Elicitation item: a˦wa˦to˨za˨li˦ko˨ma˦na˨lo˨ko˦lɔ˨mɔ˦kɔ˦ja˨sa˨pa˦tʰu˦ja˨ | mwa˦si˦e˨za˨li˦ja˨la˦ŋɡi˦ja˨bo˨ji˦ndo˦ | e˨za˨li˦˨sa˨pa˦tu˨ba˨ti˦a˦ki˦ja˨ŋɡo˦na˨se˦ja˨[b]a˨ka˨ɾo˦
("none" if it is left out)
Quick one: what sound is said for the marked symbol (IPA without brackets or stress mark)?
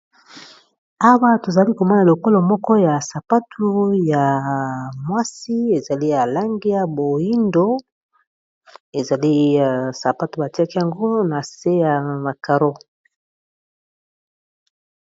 m